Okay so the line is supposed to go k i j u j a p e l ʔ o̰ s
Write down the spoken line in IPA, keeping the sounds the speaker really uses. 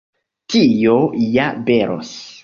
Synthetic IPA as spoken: t i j o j a b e ɾ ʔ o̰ s